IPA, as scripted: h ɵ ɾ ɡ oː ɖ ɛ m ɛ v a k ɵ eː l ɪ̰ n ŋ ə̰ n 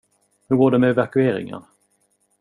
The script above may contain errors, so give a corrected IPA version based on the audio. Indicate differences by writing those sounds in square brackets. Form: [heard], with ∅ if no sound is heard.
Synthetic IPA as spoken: h ɵ ɾ ɡ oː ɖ ɛ m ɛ v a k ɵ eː [ɾ] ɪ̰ [∅] ŋ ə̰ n